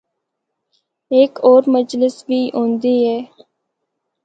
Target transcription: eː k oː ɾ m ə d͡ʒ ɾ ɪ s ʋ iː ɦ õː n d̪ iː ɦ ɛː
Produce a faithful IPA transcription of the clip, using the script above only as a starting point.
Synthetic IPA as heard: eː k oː ɾ m ə d͡ʒ l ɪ s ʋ iː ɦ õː n d̪ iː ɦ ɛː